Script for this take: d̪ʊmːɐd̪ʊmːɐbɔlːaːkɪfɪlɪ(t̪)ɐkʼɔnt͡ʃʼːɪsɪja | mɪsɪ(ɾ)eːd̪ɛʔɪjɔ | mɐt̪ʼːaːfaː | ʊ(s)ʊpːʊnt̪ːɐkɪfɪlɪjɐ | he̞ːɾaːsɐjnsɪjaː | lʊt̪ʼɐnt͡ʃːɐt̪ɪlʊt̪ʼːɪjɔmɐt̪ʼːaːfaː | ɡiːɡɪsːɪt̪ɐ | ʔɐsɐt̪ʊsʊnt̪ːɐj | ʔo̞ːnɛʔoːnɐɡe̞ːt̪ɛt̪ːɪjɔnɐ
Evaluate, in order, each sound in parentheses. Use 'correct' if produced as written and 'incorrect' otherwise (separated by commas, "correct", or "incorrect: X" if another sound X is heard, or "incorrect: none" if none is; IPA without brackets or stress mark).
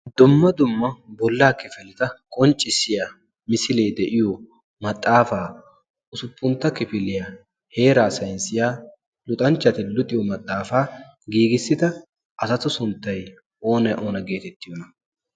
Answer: correct, incorrect: l, correct